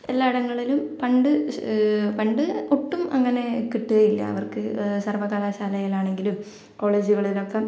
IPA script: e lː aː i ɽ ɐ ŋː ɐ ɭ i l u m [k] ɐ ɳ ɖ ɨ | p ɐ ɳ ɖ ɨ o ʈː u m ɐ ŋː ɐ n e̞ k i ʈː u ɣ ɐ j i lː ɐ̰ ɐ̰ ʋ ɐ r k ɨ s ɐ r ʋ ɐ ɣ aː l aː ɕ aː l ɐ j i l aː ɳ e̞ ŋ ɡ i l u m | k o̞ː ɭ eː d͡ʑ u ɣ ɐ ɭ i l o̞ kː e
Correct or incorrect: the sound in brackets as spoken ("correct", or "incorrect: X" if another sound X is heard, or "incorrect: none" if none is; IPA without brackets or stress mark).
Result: incorrect: p